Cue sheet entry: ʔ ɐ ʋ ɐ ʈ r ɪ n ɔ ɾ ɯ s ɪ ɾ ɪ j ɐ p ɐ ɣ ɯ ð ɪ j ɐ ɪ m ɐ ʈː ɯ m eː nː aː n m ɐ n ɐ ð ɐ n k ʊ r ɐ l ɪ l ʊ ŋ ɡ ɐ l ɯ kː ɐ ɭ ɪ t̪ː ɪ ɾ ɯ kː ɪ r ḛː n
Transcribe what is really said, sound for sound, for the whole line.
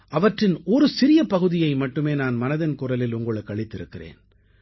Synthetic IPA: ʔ ɐ ʋ ɐ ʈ r ɪ n ɔ ɾ ɯ s ɪ ɾ ɪ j ɐ p ɐ ɣ ɯ ð ɪ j ɐ ɪ m ɐ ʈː ɯ m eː n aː n m ɐ n ɐ ð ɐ n k ʊ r ɐ l ɪ l ʊ ŋ ɡ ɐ ɭ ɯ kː ɐ ɭ ɪ t̪ː ɪ ɾ ɯ kː ɪ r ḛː n